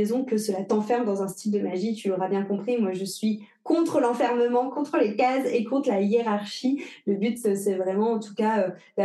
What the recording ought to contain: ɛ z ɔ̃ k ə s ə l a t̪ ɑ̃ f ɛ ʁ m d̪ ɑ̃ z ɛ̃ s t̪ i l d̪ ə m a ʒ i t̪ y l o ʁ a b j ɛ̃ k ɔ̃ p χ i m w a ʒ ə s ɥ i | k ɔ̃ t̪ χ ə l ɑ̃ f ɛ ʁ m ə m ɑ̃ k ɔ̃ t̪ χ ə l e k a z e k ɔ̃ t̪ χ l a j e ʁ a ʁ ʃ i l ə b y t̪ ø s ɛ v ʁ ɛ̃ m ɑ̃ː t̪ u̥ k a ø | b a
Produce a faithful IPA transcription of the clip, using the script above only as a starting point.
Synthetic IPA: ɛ z ɔ̃ k ə s ə l a t̪ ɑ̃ f ɛ ʁ m d̪ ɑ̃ z ɛ̃ s t̪ i l d̪ ə m a ʒ i t̪ y l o ʁ a b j ɛ̃ k ɔ̃ p χ i m w a ʒ ə s ɥ i | k ɔ̃ t̪ χ ə l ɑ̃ f ɛ ʁ m ə m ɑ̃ k ɔ̃ t̪ χ ə l e k a z e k ɔ̃ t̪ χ l a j e ʁ a ʁ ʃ i l ə b y t̪ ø s ɛ v ʁ ɛ m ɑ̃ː t̪ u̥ k a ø | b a